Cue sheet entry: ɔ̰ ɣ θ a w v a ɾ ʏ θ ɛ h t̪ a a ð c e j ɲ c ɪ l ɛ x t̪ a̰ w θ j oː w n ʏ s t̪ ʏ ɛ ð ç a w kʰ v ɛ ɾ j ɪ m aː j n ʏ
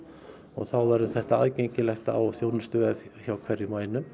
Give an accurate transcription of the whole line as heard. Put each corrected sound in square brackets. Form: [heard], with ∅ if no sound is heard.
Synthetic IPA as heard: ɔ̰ ɣ θ a w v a ɾ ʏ θ ɛ h t̪ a a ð c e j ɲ c ɪ l ɛ x t̪ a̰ w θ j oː w n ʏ s t̪ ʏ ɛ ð ç a w kʰ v ɛ ɾ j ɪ m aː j n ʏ

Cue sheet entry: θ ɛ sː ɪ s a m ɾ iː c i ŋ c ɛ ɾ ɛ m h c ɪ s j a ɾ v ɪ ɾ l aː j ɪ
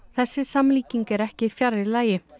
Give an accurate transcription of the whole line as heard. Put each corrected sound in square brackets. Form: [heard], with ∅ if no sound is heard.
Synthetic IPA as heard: θ ɛ sː ɪ s a m [l] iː c i ŋ [k] ɛ ɾ ɛ [∅] h c ɪ [f] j a ɾ [ð] ɪ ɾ l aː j ɪ

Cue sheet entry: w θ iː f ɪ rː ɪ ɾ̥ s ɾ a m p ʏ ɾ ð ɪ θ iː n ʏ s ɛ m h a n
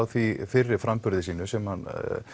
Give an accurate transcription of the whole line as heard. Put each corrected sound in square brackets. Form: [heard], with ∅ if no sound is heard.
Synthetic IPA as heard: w θ [i] f ɪ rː ɪ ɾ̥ [f] ɾ a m p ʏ ɾ ð ɪ [s] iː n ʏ s ɛ m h a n

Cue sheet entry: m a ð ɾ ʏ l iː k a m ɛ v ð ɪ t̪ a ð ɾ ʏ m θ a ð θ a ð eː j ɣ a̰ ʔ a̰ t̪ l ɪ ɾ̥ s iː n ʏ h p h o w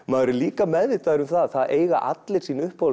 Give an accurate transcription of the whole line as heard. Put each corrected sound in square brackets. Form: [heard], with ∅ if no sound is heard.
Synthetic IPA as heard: m a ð ɾ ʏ l iː k a m ɛ [ð] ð ɪ t̪ a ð ɾ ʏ m θ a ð θ a ð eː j ɣ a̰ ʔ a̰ t̪ l ɪ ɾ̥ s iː n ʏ h p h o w

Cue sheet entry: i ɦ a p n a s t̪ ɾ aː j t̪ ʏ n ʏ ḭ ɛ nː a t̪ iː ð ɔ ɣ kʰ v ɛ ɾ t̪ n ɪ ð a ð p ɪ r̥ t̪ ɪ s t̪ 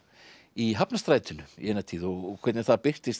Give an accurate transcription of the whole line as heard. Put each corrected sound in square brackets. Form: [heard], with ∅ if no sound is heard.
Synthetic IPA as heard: i ɦ a p n a s t̪ ɾ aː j t̪ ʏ n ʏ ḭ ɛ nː a [t̪ʰ] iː ð ɔ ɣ kʰ v ɛ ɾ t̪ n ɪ [θ] a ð p ɪ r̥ t̪ ɪ s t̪

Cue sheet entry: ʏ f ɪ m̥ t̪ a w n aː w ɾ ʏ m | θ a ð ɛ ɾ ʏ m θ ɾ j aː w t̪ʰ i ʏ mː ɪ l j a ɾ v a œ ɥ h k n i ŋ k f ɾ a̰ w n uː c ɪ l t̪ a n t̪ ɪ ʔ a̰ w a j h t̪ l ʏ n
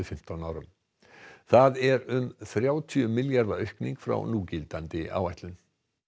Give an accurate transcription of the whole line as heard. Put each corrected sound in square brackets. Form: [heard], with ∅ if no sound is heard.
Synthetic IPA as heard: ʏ f ɪ m̥ t̪ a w n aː w ɾ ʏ m | θ a ð ɛ ɾ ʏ m θ ɾ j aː w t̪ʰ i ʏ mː ɪ l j a ɾ [ð] a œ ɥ h k n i ŋ k f ɾ a̰ w n uː c ɪ l t̪ a n t̪ ɪ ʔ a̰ w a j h t̪ l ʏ n

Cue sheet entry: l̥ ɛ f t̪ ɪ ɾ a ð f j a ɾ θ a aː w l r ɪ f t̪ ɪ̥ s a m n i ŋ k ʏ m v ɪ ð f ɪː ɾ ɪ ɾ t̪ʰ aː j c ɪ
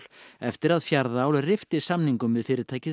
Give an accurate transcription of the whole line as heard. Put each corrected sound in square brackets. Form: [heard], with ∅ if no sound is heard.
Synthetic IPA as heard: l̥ ɛ f t̪ ɪ ɾ a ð f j a ɾ [ð] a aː w l r ɪ f t̪ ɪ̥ s a m n i ŋ k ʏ m v ɪ ð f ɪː ɾ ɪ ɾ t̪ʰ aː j c ɪ

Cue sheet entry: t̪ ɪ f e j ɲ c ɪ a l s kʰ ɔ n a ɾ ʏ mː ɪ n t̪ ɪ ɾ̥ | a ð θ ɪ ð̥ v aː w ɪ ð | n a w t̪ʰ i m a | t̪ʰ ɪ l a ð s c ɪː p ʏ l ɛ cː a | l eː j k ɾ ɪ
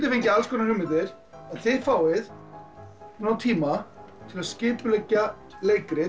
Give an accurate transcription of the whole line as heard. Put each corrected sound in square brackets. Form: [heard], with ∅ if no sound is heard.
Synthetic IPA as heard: t̪ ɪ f e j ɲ c ɪ a l s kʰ ɔ n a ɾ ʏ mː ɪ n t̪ ɪ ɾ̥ | a ð θ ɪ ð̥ [f] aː w ɪ ð | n a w t̪ʰ [iː] m a | t̪ʰ ɪ l a ð s c ɪː p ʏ l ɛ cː a | l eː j k ɾ ɪ

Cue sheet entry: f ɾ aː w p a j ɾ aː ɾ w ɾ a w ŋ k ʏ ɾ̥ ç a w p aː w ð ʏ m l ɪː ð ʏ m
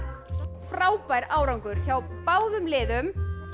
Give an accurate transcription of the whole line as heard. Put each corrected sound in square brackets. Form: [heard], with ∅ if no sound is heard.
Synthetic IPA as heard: f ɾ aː w p a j ɾ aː [∅] w ɾ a w ŋ k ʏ ɾ̥ ç a w p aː w ð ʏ m l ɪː ð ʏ m

